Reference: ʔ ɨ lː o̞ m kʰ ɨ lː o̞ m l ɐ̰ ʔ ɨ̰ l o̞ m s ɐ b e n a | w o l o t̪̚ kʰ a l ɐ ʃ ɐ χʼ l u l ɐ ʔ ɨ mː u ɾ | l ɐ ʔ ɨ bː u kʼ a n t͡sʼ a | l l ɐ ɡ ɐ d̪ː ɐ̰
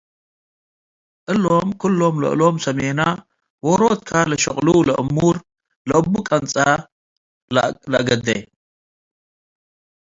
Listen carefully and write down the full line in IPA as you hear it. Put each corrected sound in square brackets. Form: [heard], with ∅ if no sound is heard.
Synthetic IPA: ʔ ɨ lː o̞ m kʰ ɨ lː o̞ m l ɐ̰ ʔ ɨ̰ l o̞ m s ɐ [m] e n a | w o [ɾ] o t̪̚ kʰ a l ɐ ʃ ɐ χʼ l u l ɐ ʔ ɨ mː u ɾ | l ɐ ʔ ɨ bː u kʼ [ɐ] n t͡sʼ a | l l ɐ ɡ ɐ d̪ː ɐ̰